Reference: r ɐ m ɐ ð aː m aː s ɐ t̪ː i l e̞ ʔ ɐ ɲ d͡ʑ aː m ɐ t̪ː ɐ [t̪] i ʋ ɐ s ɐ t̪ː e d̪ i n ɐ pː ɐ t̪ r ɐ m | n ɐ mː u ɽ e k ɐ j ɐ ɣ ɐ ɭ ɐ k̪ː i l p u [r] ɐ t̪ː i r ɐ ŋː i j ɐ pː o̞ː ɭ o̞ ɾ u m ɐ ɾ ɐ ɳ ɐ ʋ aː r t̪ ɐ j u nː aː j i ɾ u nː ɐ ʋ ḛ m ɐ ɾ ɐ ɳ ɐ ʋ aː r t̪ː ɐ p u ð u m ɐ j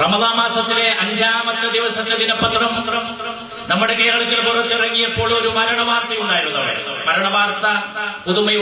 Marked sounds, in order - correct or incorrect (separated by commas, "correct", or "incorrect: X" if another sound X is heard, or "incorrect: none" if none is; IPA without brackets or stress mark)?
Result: incorrect: d̪, correct